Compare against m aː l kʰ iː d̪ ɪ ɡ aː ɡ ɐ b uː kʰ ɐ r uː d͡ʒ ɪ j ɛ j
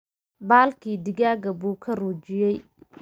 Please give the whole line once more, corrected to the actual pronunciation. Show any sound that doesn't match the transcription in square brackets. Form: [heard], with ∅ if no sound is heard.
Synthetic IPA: [b] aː l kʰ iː d̪ ɪ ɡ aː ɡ ɐ b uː kʰ ɐ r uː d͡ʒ ɪ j ɛ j